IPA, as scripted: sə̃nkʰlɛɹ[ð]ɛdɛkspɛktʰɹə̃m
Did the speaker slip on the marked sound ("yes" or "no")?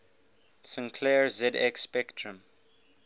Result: yes